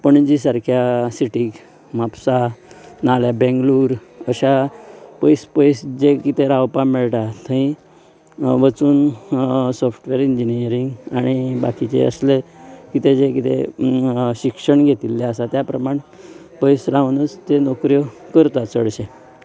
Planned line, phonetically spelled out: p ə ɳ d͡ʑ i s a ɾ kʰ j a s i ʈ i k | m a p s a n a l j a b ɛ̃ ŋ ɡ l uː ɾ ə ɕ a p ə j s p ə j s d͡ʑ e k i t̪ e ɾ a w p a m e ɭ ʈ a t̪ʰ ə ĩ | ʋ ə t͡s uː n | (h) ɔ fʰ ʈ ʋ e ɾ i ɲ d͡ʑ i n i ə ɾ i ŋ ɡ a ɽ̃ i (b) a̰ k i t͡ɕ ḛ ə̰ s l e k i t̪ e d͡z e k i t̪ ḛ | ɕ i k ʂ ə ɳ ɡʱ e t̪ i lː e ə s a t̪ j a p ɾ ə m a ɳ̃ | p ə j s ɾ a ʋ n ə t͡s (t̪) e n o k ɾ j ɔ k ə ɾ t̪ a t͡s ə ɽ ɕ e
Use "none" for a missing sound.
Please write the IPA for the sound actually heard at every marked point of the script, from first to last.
s, b, t̪

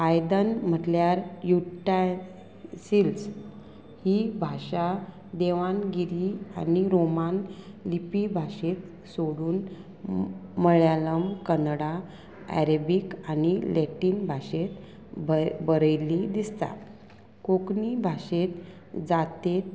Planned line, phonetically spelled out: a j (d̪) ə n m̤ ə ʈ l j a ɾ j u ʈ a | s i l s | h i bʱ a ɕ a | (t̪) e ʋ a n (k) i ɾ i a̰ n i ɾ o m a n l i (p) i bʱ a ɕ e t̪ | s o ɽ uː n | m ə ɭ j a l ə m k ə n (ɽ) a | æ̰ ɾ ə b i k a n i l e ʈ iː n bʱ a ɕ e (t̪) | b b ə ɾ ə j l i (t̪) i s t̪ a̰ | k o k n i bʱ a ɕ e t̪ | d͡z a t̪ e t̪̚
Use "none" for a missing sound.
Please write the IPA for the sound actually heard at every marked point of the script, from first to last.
d̪, d̪, ɡ, p, ɽ, t̪, d̪

